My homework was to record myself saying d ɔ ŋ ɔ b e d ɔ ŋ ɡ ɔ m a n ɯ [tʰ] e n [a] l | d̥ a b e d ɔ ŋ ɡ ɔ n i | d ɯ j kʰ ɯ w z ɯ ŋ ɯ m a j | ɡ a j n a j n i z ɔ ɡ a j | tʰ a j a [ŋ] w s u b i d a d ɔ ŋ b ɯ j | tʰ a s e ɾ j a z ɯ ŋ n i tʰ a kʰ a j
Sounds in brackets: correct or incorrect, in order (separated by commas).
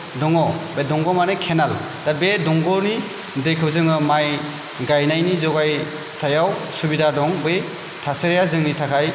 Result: incorrect, correct, incorrect